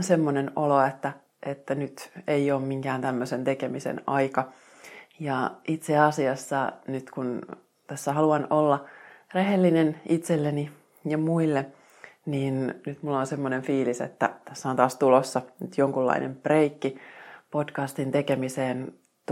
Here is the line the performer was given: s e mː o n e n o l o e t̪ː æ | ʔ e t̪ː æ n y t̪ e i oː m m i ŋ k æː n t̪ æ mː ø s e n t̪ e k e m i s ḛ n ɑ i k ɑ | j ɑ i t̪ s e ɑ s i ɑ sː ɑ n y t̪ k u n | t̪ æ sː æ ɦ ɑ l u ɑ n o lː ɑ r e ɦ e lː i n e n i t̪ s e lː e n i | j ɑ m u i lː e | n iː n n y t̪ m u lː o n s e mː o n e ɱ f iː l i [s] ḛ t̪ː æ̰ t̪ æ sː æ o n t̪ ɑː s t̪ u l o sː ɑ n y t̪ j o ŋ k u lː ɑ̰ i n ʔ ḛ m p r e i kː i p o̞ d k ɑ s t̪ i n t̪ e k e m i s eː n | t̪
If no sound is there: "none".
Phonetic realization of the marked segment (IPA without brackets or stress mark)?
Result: s